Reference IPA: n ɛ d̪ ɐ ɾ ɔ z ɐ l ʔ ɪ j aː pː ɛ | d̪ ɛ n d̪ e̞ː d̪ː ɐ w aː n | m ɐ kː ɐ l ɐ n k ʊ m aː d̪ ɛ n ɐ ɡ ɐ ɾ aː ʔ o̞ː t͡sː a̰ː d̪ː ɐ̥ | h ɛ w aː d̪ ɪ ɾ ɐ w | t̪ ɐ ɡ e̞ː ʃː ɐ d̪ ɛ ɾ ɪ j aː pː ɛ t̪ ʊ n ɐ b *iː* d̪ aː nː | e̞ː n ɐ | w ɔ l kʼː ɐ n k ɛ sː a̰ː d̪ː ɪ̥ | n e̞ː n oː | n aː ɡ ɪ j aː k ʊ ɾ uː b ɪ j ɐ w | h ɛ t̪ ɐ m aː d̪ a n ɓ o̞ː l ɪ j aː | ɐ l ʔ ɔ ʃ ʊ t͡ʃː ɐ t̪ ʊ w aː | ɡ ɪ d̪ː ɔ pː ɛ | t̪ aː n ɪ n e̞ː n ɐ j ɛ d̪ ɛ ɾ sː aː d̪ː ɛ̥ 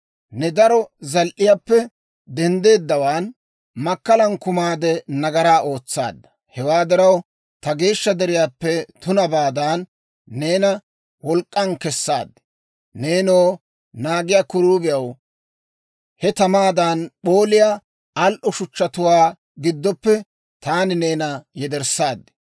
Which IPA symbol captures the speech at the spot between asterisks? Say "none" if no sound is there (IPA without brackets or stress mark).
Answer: aː